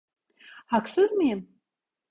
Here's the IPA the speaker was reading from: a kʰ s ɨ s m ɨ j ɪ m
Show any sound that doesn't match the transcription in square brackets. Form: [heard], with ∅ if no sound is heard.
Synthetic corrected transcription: a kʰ s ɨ [z] m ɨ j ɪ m